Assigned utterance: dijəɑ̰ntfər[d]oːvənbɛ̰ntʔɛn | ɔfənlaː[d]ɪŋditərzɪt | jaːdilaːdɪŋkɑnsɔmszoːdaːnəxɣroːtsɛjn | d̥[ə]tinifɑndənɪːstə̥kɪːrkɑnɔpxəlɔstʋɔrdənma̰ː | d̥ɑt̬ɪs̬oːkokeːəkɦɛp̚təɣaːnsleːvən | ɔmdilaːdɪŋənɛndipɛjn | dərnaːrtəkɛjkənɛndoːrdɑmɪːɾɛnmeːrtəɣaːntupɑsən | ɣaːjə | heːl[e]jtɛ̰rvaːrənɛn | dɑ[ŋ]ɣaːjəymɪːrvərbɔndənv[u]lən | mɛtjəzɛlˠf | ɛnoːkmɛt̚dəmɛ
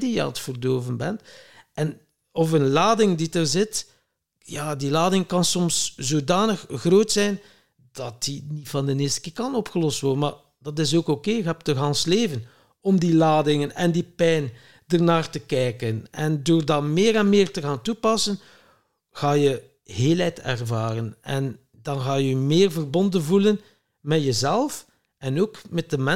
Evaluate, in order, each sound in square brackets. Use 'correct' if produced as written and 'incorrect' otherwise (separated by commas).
correct, correct, incorrect, incorrect, incorrect, correct